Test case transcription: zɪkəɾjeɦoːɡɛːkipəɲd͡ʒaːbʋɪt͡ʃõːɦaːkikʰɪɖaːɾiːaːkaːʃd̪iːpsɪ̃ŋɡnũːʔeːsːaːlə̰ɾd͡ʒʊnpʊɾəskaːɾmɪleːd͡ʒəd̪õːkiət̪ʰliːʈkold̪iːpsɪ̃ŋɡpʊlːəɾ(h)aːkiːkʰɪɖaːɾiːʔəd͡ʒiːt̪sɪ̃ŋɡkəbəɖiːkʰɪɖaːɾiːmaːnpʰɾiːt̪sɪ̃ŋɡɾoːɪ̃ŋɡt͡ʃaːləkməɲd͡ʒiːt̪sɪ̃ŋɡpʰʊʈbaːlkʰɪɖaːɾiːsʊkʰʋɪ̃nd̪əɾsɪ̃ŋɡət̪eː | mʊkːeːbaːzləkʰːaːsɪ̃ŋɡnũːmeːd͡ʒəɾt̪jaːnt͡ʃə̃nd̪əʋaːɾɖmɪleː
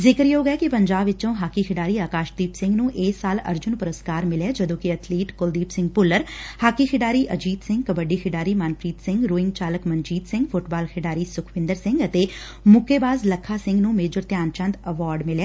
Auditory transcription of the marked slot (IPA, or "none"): h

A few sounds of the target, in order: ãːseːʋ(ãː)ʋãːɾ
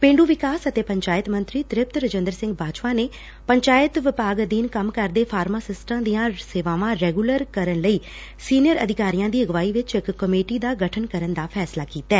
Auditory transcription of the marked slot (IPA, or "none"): aː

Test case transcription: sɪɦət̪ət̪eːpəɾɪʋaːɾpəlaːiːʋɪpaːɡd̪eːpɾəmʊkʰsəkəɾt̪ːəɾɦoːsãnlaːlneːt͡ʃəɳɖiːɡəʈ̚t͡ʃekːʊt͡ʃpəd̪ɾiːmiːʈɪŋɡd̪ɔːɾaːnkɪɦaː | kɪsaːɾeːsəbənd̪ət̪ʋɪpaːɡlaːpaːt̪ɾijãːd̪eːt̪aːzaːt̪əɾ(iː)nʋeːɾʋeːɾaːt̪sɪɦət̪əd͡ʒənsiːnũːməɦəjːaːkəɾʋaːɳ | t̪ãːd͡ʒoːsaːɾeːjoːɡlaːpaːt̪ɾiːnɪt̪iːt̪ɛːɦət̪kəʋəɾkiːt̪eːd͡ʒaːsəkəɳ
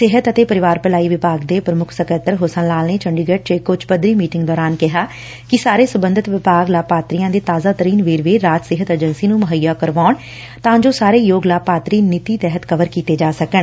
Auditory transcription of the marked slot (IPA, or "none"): iː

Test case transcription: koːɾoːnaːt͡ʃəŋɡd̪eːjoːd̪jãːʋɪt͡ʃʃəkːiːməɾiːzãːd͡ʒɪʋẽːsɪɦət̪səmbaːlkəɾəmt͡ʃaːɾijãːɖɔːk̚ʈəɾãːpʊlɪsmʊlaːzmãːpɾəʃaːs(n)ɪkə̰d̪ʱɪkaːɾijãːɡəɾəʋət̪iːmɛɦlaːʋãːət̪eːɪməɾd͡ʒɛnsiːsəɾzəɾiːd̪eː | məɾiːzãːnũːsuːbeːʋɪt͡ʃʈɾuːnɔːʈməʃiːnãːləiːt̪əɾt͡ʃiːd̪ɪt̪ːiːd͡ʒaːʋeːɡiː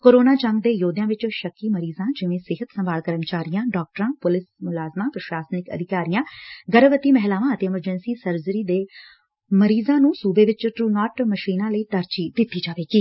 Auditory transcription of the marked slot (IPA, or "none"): n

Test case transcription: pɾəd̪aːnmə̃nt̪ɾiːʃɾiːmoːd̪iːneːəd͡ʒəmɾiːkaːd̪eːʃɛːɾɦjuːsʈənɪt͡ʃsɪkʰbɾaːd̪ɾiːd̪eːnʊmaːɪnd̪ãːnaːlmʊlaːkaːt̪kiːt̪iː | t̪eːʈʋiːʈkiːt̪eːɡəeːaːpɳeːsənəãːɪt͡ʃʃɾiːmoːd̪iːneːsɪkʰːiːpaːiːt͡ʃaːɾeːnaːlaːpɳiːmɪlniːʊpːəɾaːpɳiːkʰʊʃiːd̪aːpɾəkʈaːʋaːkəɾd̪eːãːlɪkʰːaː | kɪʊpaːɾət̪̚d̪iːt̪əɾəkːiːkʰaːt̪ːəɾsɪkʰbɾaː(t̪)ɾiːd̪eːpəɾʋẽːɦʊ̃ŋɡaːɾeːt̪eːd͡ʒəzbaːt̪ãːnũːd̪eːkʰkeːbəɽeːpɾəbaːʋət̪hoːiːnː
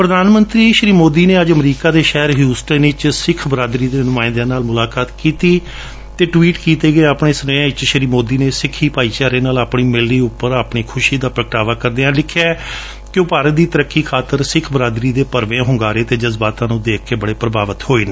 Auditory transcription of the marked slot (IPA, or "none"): d̪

